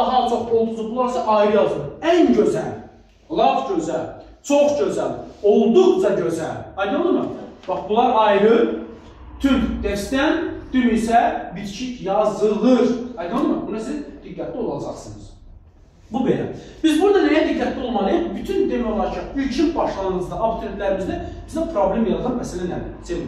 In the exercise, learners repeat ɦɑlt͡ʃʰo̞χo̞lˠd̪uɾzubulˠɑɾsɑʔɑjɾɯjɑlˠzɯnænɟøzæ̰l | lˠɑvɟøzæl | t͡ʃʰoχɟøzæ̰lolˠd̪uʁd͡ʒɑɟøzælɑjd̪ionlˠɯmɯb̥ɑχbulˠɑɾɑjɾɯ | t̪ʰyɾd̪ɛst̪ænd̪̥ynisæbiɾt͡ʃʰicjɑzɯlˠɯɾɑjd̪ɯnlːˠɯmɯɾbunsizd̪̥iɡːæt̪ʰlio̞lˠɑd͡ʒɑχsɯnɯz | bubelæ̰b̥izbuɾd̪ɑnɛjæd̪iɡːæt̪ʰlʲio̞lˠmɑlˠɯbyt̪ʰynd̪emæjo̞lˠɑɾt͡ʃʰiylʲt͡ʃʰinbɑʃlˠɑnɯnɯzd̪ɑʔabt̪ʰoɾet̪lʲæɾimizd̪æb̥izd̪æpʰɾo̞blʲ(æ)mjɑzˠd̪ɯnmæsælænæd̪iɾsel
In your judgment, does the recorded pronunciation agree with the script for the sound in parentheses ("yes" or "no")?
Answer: no